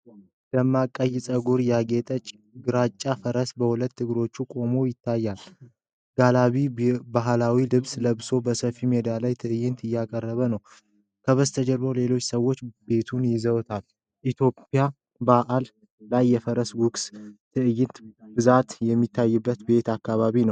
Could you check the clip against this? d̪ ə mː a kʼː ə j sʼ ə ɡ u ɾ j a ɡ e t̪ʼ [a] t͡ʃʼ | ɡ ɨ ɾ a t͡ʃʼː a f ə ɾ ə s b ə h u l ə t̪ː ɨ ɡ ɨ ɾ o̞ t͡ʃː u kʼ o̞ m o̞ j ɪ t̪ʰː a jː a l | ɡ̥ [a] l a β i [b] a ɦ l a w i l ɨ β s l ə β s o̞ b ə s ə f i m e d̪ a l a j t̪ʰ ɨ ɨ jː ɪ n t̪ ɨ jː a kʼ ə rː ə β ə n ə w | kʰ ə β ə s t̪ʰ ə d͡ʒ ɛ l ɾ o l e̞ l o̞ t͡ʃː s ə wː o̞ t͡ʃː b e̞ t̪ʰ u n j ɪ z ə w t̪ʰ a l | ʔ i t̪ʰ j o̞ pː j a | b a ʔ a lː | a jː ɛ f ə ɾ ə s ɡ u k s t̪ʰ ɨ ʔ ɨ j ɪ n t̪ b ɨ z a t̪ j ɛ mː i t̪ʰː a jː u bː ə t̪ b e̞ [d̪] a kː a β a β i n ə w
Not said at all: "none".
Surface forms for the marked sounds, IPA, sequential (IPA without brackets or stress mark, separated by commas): ə, a, b, t̪